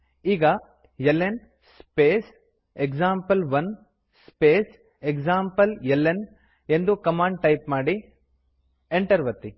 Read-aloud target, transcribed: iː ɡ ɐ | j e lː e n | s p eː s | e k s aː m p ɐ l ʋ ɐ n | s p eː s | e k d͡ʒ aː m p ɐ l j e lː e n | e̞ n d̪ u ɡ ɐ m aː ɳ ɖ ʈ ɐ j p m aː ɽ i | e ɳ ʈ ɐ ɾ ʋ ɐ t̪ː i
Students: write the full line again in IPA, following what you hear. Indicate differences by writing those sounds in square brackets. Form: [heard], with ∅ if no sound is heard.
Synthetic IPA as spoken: iː ɡ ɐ | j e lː e n | s p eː s | e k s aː m p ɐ l ʋ ɐ n | s p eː s | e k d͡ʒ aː m p ɐ l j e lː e n | e̞ n d̪ u [k] ɐ m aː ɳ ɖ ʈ ɐ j p m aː ɽ i | e ɳ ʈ ɐ ɾ ʋ ɐ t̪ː i